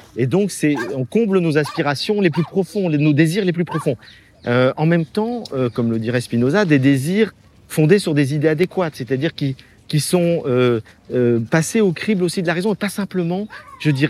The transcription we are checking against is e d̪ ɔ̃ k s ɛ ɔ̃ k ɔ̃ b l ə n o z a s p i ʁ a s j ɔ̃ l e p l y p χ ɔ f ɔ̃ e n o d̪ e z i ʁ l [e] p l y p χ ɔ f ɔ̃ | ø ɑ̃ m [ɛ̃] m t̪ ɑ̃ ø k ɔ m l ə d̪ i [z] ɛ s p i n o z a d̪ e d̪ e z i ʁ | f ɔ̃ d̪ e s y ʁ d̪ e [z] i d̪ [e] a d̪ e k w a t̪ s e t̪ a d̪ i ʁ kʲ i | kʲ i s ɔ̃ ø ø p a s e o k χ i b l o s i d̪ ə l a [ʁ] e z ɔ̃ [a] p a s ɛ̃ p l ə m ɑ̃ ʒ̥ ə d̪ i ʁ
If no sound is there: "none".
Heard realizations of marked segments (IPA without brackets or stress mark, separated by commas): e, ɛ, ʁ, z, e, ʁ, e